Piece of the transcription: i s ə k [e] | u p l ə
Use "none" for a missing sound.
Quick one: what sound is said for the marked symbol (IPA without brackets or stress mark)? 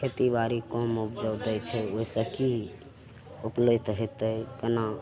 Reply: i